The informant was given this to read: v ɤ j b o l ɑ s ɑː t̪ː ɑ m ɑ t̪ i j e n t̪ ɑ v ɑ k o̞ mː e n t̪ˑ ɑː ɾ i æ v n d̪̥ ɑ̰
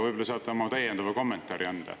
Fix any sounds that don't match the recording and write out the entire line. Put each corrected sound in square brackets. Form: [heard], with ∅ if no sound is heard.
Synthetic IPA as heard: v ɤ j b o l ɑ s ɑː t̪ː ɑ m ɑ t̪ [æ] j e n [d̪] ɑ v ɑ k o̞ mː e n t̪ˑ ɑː ɾ i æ [∅] n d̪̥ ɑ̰